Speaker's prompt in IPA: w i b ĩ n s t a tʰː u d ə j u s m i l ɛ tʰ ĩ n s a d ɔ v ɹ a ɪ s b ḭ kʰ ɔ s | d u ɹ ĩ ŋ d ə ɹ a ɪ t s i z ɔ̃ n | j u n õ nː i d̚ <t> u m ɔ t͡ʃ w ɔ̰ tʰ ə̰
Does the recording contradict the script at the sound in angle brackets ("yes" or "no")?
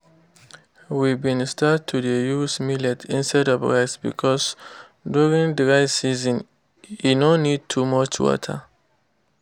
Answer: yes